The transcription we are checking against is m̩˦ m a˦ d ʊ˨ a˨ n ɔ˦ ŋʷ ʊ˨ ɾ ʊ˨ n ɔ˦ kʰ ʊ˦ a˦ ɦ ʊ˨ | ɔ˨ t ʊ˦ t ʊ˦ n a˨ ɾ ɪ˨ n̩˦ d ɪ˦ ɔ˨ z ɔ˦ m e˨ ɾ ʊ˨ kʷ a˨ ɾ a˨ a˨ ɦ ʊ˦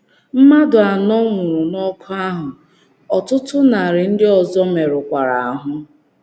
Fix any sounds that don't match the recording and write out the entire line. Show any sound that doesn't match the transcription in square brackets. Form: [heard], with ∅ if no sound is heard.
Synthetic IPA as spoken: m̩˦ m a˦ d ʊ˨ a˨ n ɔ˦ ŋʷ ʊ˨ ɾ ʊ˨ n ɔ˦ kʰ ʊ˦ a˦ ɦ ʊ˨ | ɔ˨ t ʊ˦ t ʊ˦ n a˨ ɾ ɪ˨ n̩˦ d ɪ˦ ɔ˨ z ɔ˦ m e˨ ɾ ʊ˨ kʷ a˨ ɾ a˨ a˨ ɦ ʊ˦